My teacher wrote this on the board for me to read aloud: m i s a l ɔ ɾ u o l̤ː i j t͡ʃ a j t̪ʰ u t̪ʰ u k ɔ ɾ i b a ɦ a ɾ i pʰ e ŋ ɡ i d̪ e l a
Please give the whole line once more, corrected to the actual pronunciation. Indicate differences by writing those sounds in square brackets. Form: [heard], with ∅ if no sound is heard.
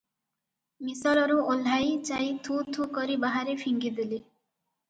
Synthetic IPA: m i s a l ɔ ɾ u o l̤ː [a] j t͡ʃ a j t̪ʰ u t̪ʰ u k ɔ ɾ i b a ɦ a ɾ [e] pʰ [i] ŋ ɡ i d̪ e l [i]